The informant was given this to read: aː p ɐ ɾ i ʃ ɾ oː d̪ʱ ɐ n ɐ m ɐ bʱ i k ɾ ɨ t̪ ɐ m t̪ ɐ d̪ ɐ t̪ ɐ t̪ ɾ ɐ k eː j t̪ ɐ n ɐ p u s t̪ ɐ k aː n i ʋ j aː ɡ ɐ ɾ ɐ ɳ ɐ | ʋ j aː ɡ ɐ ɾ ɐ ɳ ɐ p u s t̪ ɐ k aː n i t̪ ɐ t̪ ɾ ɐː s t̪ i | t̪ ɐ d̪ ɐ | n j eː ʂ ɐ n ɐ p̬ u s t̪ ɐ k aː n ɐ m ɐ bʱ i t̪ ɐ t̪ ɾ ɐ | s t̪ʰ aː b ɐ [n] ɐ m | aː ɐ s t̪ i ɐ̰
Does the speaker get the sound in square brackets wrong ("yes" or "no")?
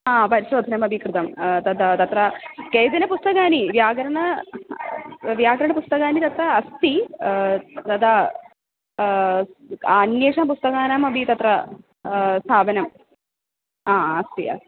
no